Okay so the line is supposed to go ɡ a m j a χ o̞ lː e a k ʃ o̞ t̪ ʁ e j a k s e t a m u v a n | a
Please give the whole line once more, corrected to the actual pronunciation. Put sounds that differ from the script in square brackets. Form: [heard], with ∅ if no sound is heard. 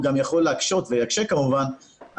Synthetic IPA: ɡ a m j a χ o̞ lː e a k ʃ o̞ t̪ [v] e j a k [ʃ] e [k] a m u v a n | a